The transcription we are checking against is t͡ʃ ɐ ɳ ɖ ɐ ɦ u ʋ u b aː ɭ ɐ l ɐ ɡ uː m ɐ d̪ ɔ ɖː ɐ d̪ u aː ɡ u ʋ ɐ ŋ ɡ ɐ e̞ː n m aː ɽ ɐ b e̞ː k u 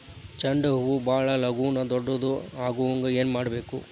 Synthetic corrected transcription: t͡ʃ ɐ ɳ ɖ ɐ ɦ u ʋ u b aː ɭ ɐ l ɐ ɡ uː n ɐ d̪ ɔ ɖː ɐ d̪ u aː ɡ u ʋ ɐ ŋ ɡ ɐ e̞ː n m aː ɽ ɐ b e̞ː k u